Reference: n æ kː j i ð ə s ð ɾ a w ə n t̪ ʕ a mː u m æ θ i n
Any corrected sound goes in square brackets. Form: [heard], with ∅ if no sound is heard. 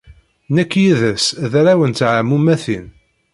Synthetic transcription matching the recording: n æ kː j i ð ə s ð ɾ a w ə n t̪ ʕ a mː u m æ θ i n